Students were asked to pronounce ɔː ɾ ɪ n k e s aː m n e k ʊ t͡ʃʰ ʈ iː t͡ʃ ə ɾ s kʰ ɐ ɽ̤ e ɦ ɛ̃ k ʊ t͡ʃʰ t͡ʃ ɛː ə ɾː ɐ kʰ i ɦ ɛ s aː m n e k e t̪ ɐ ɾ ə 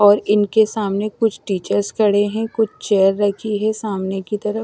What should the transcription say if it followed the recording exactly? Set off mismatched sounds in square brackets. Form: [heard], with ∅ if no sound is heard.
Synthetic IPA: ɔː ɾ ɪ n k e s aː m n e k ʊ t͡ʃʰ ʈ iː t͡ʃ ə ɾ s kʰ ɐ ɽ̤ e ɦ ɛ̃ k ʊ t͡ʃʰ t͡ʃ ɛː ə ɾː ɐ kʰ i ɦ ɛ s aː m n e k [i] t̪ ɐ ɾ ə

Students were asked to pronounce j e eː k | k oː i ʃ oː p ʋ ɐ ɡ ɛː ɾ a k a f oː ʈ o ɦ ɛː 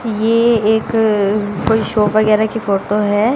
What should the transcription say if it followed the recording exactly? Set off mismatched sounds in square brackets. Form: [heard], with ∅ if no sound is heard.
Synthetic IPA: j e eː k | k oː i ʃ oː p ʋ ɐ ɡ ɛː ɾ a k [i] f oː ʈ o ɦ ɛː

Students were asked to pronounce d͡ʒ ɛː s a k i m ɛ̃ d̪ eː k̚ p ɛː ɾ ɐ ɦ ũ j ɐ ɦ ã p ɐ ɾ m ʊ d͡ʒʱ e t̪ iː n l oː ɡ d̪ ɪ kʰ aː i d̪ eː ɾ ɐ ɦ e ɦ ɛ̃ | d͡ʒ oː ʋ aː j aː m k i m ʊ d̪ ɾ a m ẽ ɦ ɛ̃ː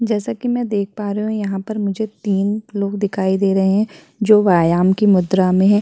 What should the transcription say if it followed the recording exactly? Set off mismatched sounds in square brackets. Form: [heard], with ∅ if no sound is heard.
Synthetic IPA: d͡ʒ ɛː s a k i m ɛ̃ d̪ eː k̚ p [aː] ɾ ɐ ɦ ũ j ɐ ɦ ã p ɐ ɾ m ʊ d͡ʒʱ e t̪ iː n l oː ɡ d̪ ɪ kʰ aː i d̪ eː ɾ ɐ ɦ e ɦ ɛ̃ | d͡ʒ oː ʋ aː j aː m k i m ʊ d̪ ɾ a m ẽ ɦ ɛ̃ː

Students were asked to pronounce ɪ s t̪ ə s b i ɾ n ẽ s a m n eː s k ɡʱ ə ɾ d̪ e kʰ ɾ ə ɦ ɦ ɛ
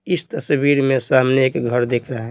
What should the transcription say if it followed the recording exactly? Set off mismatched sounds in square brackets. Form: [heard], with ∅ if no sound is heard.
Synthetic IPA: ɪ s t̪ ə s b i ɾ [m] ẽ s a m n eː [∅] k ɡʱ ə ɾ d̪ e kʰ ɾ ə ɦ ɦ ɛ

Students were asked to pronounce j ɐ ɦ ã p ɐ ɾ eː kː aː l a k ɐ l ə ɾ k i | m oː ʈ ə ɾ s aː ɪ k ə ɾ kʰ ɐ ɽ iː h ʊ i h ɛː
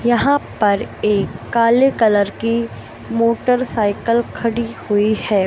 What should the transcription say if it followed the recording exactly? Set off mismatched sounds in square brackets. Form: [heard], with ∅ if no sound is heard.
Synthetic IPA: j ɐ ɦ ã p ɐ ɾ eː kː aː l [e] k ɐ l ə ɾ k i | m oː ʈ ə ɾ s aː ɪ k ə [l] kʰ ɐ ɽ [i] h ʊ i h ɛː

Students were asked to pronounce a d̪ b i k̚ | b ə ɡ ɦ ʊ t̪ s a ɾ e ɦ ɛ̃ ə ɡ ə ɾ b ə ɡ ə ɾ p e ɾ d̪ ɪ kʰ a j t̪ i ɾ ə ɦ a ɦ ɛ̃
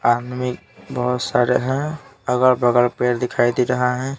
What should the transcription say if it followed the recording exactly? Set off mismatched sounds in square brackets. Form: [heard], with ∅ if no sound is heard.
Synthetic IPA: a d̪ [m] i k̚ | b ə [∅] ɦ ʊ t̪ s a ɾ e ɦ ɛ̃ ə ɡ ə ɾ b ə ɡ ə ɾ p e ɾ d̪ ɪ kʰ a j [d̪] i ɾ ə ɦ a ɦ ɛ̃

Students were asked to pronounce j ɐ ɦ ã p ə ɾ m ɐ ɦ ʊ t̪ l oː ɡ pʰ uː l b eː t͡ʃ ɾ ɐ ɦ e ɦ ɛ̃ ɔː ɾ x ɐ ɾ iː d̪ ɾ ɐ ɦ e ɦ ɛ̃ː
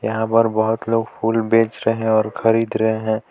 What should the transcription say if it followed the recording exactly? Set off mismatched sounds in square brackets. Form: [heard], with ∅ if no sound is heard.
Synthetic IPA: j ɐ ɦ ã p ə ɾ [b] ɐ ɦ ʊ t̪ l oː ɡ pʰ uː l b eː t͡ʃ ɾ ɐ ɦ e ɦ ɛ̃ ɔː ɾ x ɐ ɾ iː d̪ ɾ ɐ ɦ e ɦ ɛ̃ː

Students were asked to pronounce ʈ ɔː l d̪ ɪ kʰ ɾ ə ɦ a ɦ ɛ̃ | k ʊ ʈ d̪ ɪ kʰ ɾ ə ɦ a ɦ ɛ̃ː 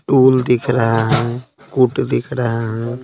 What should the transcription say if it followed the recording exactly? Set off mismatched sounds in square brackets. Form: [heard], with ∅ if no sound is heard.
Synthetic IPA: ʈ [uː] l d̪ ɪ kʰ ɾ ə ɦ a ɦ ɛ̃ | k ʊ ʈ d̪ ɪ kʰ ɾ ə ɦ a ɦ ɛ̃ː

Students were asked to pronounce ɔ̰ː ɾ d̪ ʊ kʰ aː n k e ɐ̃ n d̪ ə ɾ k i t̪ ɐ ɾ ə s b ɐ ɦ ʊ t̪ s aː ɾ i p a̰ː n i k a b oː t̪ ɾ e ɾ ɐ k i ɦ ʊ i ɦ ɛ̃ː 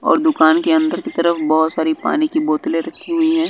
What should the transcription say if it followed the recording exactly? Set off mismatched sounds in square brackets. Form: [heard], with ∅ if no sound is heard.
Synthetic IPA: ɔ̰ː ɾ d̪ ʊ [k] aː n k e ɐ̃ n d̪ ə ɾ k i t̪ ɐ ɾ ə [f] b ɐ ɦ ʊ t̪ s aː ɾ i p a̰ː n i k [i] b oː t̪ [l] e ɾ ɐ [kʰ] i ɦ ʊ i ɦ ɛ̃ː

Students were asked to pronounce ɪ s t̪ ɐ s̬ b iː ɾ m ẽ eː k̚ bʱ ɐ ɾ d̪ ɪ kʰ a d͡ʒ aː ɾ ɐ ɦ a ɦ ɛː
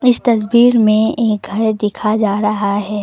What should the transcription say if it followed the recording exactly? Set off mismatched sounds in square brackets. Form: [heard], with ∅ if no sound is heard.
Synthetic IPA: ɪ s t̪ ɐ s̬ b iː ɾ m ẽ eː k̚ [ɡʱ] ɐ ɾ d̪ ɪ kʰ a d͡ʒ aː ɾ ɐ ɦ a ɦ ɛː

